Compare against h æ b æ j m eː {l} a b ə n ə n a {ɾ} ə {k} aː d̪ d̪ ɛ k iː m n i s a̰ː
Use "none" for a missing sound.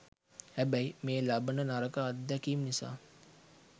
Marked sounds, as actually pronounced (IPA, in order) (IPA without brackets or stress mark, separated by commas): l, ɾ, k